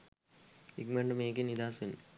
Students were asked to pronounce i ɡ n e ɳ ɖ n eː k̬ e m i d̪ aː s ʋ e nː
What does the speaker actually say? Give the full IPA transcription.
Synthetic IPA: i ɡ m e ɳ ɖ m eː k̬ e n i d̪ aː s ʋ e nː